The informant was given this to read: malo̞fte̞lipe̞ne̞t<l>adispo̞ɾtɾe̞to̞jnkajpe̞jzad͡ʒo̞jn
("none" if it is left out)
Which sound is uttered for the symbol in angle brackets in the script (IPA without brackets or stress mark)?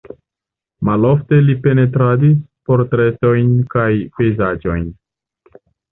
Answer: ɾ